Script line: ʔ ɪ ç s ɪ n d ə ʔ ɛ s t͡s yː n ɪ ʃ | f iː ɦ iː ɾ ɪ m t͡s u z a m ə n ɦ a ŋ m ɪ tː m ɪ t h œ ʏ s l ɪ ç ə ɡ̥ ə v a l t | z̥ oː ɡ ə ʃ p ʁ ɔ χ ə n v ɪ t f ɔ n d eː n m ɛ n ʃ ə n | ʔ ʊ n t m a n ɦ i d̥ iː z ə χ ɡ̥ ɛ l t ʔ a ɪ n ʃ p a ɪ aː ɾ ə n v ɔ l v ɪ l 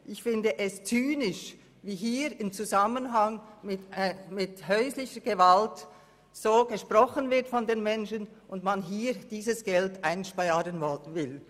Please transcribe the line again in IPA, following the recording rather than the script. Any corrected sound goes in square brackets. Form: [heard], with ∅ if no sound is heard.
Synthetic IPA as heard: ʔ ɪ ç [f] ɪ n d ə ʔ ɛ s t͡s yː n ɪ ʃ | [v] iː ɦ iː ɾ ɪ m t͡s u z a m ə n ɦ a ŋ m ɪ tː m ɪ t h œ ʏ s l ɪ ç ə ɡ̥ ə v a l t | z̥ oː ɡ ə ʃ p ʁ ɔ χ ə n v ɪ t f ɔ n d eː n m ɛ n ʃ ə n | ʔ ʊ n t m a n ɦ [iː] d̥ iː z ə [s] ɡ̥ ɛ l t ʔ a ɪ n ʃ p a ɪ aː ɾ ə n v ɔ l v ɪ l